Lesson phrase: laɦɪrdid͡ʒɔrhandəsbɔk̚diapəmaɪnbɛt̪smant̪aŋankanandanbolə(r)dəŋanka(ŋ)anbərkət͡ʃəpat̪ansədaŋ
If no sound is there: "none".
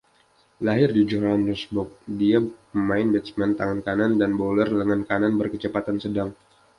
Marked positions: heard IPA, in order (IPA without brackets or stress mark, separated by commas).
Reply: r, n